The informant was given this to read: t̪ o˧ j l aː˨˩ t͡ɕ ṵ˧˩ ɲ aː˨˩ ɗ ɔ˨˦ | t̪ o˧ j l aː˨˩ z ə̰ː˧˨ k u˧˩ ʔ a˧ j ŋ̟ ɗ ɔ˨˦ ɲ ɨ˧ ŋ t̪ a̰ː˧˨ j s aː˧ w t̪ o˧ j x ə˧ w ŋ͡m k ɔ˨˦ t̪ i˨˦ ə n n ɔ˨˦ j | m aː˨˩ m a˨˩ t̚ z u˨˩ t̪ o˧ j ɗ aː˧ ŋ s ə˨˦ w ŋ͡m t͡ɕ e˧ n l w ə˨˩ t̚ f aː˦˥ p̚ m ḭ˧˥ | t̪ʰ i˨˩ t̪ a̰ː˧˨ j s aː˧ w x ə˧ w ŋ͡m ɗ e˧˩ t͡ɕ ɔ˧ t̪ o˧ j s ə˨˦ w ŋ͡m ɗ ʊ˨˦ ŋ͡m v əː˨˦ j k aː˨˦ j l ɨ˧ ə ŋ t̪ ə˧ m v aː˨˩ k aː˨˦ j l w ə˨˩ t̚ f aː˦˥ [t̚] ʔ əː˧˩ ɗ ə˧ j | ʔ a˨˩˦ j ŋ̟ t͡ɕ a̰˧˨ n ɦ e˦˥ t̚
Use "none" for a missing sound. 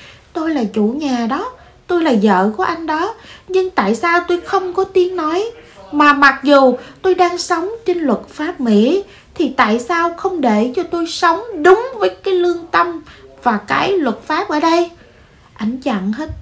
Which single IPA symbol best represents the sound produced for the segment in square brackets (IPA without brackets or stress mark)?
p̚